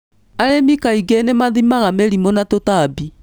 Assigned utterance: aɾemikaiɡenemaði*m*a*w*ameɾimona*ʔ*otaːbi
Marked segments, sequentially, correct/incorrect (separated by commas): correct, incorrect, incorrect